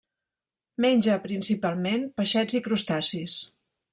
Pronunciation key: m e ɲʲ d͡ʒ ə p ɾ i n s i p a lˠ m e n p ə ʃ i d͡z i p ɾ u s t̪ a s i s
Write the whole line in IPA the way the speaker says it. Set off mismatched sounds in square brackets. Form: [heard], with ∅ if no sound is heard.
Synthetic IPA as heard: m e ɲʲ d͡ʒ ə p ɾ i n s i p a lˠ m e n p ə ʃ [ɛ] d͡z i [k] ɾ u s t̪ a s i s